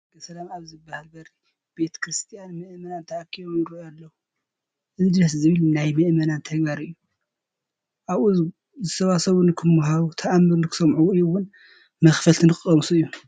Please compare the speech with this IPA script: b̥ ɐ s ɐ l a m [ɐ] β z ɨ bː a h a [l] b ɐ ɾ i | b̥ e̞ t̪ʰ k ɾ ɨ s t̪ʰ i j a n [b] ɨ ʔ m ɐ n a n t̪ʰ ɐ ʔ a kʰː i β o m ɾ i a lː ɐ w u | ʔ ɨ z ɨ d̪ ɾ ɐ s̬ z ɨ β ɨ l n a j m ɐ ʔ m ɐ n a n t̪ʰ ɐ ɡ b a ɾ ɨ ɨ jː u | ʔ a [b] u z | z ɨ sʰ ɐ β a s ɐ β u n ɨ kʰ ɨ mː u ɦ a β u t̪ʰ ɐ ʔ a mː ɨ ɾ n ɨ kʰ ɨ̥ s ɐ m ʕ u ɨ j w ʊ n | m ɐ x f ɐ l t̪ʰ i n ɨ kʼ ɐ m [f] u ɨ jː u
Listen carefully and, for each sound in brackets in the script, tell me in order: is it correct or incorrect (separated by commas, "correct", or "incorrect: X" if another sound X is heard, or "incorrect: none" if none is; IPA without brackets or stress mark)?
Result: incorrect: a, correct, incorrect: m, incorrect: β, incorrect: s